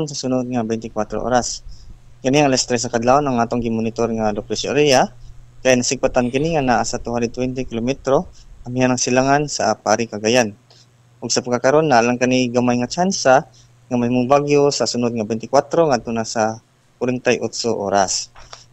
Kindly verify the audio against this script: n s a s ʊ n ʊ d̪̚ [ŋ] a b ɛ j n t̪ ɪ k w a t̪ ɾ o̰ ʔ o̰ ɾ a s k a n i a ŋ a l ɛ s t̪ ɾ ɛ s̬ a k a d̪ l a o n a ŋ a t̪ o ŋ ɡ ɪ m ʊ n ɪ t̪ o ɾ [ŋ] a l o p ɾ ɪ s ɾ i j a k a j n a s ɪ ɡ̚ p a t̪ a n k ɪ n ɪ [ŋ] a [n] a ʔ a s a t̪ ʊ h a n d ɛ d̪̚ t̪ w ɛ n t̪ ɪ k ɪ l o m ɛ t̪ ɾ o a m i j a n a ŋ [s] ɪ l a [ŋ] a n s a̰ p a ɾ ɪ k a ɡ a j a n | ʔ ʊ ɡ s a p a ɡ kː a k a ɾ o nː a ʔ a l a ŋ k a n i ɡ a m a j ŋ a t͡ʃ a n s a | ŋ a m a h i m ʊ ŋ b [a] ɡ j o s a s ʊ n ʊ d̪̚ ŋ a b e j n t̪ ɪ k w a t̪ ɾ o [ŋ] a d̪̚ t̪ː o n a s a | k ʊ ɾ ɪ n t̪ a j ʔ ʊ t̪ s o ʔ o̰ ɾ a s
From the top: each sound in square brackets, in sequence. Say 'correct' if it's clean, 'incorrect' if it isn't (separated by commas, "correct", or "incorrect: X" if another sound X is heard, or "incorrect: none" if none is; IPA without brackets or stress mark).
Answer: correct, correct, correct, correct, correct, correct, correct, correct